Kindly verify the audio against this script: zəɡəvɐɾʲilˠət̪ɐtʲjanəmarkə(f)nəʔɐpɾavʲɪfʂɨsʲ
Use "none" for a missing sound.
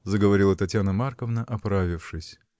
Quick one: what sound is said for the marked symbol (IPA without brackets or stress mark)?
v